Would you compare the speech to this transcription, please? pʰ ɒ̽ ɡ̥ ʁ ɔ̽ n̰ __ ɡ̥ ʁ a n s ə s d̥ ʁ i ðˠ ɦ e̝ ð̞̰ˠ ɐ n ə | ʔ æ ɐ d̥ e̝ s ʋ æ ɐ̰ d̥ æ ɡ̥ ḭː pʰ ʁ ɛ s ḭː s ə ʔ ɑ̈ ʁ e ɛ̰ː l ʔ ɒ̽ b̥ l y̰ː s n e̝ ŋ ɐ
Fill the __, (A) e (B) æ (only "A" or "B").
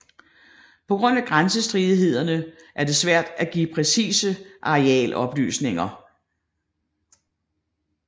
B